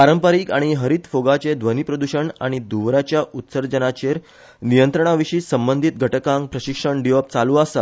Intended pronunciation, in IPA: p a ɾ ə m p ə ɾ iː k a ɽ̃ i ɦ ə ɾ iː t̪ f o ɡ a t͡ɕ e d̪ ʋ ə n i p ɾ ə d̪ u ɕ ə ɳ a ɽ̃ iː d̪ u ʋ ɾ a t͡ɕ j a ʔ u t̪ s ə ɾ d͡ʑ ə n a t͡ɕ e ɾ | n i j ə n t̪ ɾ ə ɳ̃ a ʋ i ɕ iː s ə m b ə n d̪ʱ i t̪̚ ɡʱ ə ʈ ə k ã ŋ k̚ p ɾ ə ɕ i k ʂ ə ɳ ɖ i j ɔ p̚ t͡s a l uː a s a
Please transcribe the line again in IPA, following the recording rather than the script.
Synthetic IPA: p a ɾ ə m p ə ɾ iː k a ɽ̃ i ɦ ə ɾ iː t̪ f o ɡ a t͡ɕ e d̪ ʋ ə n i p ɾ ə d̪ u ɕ ə ɳ a ɽ̃ i d̪ u ʋ ɾ a t͡ɕ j a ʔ u t̪ s ə ɾ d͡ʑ ə n a t͡ɕ e ɾ | n i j ə n t̪ ɾ ə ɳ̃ a ʋ i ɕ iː s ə m b ə n d̪ʱ i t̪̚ ɡʱ ə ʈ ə k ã ŋ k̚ p ɾ ə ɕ i k ʂ ə ɳ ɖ i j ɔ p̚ t͡s a l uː a s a

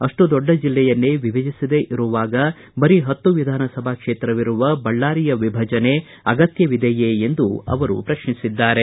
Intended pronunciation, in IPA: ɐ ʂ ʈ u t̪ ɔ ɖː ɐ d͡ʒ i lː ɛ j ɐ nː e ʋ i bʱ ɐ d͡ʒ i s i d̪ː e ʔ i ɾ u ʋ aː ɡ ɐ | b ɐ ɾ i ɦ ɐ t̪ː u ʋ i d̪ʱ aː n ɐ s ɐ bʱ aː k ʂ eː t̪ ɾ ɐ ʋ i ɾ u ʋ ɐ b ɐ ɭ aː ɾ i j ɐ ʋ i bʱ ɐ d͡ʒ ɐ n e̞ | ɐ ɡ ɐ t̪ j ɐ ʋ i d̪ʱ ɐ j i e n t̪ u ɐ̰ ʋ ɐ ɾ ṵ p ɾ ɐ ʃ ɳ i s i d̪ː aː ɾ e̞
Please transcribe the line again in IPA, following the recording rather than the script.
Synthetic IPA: ɐ ʂ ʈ u d̪ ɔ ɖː ɐ d͡ʒ i lː ɛ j ɐ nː e ʋ i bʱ ɐ d͡ʒ i s i d̪ e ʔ i ɾ u ʋ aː ɡ ɐ | b ɐ ɾ i ɦ ɐ t̪ː u ʋ i d̪ʱ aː n ɐ s ɐ bʱ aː k ʂ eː t̪ ɾ ɐ ʋ i ɾ u ʋ ɐ b ɐ ɭː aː ɾ i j ɐ ʋ i bʱ ɐ d͡ʒ ɐ n e̞ | ɐ ɡ ɐ t̪ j ɐ ʋ i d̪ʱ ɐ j e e n d̪ u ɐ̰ ʋ ɐ ɾ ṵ p ɾ ɐ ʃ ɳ i s i d̪ː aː ɾ e̞

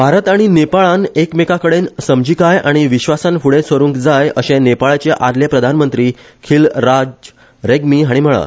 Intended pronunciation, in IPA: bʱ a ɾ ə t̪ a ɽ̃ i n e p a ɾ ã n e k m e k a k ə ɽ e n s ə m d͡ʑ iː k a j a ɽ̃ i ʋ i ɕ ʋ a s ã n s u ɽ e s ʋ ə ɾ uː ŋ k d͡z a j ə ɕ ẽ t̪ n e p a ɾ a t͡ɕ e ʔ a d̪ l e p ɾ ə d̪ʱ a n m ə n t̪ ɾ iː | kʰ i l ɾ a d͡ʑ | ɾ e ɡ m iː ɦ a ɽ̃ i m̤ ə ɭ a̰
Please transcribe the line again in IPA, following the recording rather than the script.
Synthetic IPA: bʱ a ɾ ə t̪ a ɽ̃ i n e p a ɭ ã n e k m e k a k ə ɽ e n s ə m d͡ʑ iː k a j a ɽ̃ i ʋ i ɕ ʋ a s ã n f u ɽ e s ʋ ə ɾ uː ŋ k d͡z a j ə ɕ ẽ n e p a ɭ a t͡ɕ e ʔ a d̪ l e p ɾ ə d̪ʱ a n m ə n t̪ ɾ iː | kʰ i l ɾ a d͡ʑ | ɾ e ɡ m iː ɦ a ɽ̃ i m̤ ə ɭ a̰

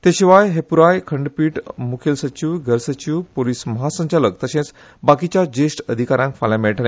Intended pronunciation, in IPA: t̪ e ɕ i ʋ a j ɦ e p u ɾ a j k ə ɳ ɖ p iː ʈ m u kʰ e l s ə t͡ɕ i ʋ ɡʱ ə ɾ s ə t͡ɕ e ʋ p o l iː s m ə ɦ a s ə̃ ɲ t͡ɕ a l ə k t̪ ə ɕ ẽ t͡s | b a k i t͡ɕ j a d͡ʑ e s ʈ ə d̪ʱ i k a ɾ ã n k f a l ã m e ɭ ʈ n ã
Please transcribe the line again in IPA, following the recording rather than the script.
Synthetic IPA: t̪ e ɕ i ʋ a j ɦ e p u ɾ a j kʰ ə ɳ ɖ p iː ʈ m u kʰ e l s ə t͡ɕ i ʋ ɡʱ ə ɾ s ə t͡ɕ i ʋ p o l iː s m ə ɦ a s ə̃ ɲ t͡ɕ a l ə k t̪ ə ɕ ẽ t͡s | b a k i t͡ɕ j a d͡ʑ e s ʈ ə d̪ʱ i k a ɾ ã ŋ k f a l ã m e ɭ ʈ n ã

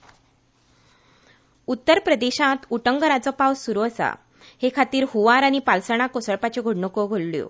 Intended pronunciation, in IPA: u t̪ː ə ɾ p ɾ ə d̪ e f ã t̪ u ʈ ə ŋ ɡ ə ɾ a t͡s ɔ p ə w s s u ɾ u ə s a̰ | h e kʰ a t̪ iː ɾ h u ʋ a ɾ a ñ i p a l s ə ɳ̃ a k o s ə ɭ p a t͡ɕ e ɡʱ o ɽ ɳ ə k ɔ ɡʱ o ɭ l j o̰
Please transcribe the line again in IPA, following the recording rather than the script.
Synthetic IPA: u t̪ː ə ɾ p ɾ ə d̪ e ɕ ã t̪ u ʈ ə ŋ ɡ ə ɾ a t͡s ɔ p a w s s u ɾ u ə s a̰ | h e kʰ a t̪ iː ɾ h u ʋ a ɾ a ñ i p a l s ə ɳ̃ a k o s ə ɭ p a t͡ɕ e ɡʱ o ɽ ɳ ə k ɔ ɡʱ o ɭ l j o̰

